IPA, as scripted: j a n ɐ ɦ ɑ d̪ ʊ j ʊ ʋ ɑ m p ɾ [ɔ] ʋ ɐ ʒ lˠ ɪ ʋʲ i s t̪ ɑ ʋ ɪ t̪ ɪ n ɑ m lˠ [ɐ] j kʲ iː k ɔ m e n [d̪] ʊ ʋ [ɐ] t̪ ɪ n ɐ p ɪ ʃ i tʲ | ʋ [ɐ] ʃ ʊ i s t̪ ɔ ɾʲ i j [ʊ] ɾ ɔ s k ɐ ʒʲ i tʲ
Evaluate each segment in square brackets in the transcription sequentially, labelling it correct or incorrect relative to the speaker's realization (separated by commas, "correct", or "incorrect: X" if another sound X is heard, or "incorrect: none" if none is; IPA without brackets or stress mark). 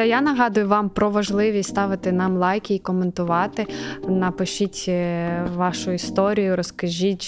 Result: correct, incorrect: ɑ, incorrect: t̪, incorrect: ɑ, incorrect: ɑ, correct